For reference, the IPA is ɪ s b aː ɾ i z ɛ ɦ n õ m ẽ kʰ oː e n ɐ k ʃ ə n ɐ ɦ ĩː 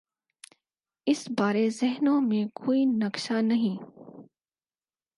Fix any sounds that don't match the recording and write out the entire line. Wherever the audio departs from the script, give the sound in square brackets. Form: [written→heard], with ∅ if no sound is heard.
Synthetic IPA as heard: ɪ s b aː ɾ [i→e] z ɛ ɦ n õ m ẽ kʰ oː [e→i] n ɐ k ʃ [ə→a] n ɐ ɦ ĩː